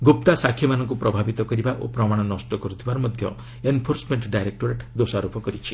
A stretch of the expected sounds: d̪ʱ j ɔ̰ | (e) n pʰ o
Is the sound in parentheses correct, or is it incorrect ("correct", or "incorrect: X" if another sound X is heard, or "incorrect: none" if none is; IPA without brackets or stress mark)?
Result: correct